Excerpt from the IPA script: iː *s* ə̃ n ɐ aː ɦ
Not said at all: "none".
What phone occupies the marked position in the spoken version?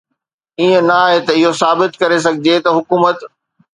none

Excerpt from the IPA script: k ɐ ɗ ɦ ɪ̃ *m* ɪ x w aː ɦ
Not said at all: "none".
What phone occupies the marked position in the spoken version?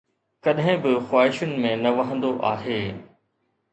b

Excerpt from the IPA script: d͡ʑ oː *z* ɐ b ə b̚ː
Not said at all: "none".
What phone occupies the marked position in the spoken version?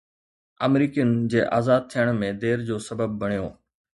s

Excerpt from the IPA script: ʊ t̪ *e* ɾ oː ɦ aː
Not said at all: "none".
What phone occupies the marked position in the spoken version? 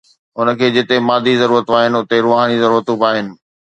e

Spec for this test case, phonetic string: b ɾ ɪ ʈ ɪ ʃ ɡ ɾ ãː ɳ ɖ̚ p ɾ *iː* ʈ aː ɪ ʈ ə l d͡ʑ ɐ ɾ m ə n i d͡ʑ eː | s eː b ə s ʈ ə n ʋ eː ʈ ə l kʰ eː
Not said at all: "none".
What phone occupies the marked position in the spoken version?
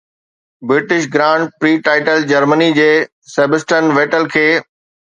iː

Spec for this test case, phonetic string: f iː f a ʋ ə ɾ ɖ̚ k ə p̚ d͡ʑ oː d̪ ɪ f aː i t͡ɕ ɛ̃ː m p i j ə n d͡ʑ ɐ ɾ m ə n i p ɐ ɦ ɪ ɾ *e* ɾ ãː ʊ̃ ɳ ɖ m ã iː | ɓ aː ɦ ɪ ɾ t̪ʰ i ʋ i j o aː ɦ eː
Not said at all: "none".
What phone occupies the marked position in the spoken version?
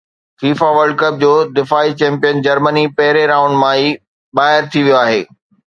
e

